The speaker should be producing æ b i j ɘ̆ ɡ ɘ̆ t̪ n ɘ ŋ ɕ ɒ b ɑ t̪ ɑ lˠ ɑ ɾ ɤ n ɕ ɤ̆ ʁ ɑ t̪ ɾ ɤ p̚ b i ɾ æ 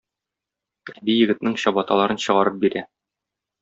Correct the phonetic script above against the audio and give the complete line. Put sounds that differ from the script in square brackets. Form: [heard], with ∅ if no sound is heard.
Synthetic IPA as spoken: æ b i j ɘ̆ ɡ ɘ̆ t̪ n ɘ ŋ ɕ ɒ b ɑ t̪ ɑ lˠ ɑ ɾ ɤ n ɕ ɤ̆ ʁ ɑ [∅] ɾ ɤ p̚ b i ɾ æ